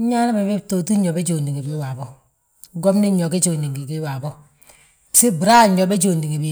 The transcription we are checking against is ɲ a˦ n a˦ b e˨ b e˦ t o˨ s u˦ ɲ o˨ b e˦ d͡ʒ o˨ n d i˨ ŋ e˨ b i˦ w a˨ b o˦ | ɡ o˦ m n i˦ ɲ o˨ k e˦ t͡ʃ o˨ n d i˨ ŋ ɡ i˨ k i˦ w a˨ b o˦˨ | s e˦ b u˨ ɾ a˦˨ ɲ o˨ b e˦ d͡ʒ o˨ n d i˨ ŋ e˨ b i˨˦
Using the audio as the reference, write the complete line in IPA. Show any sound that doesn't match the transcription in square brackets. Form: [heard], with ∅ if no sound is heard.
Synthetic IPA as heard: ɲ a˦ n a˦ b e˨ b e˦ t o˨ [t] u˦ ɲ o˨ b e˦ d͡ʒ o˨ n d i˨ ŋ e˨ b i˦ w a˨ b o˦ | ɡ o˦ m n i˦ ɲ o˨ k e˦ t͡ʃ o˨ n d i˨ ŋ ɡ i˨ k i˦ w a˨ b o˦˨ | s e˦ b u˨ ɾ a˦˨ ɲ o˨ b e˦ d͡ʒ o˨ n d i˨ ŋ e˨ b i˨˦